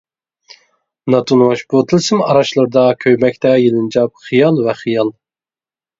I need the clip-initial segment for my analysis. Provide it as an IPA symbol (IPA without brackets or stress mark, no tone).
n